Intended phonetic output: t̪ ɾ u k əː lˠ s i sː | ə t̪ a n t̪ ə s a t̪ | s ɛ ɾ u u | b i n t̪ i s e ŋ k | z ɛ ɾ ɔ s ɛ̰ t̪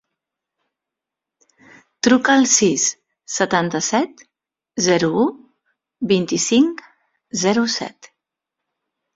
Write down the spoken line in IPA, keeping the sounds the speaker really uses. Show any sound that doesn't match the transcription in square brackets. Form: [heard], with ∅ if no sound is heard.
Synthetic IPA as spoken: t̪ ɾ u k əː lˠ s i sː | ə t̪ a n t̪ ə s [ɛ] t̪ | [z] ɛ ɾ u u | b i n t̪ i s [i] ŋ k | z ɛ ɾ [u] s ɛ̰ t̪